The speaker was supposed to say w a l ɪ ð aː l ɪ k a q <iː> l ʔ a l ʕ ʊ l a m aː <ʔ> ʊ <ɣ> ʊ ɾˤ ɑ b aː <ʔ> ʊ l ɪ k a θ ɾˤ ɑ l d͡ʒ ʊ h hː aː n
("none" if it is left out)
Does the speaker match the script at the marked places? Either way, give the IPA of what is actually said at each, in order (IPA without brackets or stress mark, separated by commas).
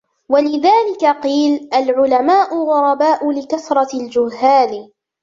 iː, ʔ, ɣ, ʔ